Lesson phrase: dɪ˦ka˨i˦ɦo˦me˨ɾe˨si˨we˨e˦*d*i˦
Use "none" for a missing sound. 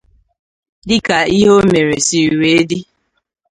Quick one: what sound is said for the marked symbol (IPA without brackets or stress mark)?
d